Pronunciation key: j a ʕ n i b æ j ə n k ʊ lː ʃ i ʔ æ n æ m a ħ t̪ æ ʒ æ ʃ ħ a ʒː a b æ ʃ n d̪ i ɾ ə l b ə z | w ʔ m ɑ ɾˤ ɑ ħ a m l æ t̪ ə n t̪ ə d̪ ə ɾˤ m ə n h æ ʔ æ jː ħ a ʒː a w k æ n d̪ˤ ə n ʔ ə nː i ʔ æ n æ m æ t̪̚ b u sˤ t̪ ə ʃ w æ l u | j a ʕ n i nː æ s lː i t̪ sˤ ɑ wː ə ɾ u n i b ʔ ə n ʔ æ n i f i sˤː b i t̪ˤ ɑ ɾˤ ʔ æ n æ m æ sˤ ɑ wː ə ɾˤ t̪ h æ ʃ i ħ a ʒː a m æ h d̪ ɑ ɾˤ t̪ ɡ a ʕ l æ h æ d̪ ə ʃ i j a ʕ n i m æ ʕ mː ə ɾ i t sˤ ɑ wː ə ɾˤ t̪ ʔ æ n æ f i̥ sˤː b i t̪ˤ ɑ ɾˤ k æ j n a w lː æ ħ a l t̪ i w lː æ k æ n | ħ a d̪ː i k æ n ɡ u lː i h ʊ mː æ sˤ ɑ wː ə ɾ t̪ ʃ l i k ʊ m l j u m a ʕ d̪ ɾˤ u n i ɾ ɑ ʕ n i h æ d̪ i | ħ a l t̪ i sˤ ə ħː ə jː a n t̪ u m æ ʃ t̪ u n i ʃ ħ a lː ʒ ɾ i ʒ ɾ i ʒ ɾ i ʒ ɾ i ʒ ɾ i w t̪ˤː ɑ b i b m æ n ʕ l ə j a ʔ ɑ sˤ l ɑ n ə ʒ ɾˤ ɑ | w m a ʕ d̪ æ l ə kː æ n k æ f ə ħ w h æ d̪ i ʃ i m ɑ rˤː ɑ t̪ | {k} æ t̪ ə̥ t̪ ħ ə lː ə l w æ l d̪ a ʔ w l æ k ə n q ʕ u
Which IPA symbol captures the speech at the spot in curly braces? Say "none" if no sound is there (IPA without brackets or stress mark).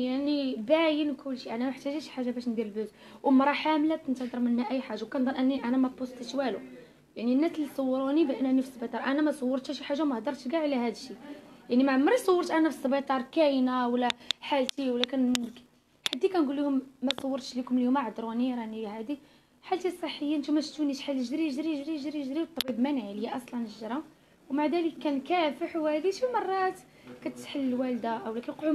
k